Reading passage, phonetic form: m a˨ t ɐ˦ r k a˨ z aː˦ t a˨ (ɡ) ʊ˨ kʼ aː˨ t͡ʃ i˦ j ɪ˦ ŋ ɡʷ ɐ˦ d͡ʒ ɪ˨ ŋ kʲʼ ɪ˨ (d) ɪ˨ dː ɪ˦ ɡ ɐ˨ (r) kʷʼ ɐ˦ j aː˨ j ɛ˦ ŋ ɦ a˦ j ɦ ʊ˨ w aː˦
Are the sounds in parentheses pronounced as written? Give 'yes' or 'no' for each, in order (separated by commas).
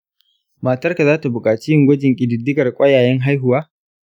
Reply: no, yes, yes